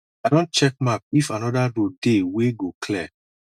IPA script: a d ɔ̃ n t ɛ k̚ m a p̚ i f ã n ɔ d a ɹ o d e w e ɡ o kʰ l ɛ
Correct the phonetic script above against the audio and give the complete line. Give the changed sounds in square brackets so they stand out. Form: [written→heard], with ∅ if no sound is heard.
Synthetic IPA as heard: a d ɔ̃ n [t→t͡ʃ] ɛ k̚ m a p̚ i f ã n ɔ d a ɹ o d e w e ɡ o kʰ l ɛ